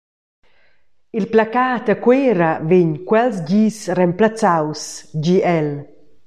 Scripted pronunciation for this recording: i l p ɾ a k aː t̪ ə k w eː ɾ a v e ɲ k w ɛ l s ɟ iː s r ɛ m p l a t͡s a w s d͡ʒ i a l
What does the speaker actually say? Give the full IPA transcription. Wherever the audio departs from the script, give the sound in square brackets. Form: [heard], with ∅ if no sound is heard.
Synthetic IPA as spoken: i l p [l] a k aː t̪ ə k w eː ɾ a v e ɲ k w ɛ l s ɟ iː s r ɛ m p l a t͡s a w s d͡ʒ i [ɛ] l